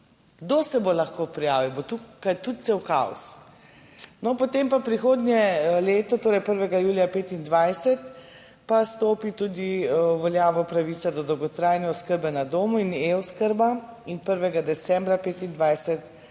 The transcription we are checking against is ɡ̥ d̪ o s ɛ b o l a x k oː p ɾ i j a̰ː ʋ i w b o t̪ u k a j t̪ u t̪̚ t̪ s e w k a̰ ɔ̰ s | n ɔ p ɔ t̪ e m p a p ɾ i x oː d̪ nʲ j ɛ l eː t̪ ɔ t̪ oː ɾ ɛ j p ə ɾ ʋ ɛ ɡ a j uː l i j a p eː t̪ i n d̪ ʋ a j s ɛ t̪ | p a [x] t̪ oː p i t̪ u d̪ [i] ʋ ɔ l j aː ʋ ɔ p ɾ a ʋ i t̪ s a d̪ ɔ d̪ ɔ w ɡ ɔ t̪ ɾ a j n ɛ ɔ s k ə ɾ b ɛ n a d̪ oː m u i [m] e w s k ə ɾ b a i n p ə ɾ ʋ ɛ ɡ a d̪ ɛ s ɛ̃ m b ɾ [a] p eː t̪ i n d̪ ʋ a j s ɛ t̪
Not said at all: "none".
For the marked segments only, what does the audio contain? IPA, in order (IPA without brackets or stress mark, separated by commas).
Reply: s, i, n, a